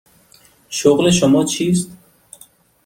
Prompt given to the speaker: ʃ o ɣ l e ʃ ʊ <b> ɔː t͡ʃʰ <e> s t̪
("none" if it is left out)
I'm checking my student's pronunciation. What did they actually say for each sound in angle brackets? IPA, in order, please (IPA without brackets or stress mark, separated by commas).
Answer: m, i